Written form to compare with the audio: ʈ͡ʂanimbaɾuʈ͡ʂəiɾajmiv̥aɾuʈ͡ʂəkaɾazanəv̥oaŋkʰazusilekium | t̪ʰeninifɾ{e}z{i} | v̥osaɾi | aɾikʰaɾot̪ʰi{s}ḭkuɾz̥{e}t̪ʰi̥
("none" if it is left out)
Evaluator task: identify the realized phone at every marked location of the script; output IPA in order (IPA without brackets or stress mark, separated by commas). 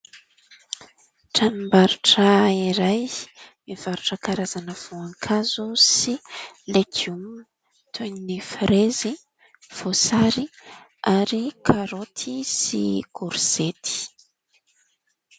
e, i, s, e